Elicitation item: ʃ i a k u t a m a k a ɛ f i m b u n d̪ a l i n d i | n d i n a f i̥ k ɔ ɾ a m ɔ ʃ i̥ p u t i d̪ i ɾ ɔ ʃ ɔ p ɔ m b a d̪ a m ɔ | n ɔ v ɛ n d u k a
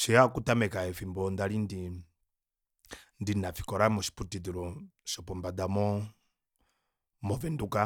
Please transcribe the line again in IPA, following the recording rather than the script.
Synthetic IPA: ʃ i a k u t a m ɛ k a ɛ f i m b ɔ n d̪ a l i n d i | n d i n a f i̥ k ɔ ɾ a m ɔ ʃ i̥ p u t i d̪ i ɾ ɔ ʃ ɔ p ɔ m b a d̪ a m ɔ | m ɔ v ɛ n d u k a